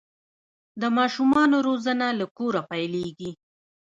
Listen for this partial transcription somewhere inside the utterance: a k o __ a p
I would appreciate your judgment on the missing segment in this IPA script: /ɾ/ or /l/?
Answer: ɾ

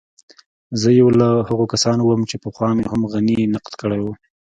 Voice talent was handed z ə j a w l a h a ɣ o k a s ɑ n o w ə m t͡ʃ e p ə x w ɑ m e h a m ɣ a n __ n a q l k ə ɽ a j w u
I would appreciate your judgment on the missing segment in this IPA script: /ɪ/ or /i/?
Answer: i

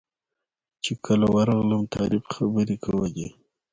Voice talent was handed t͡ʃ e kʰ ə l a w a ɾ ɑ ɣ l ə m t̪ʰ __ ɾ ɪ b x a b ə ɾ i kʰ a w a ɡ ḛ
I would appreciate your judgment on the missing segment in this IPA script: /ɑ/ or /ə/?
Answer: ɑ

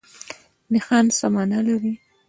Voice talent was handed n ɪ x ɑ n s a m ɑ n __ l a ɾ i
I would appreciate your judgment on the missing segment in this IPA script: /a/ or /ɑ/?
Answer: a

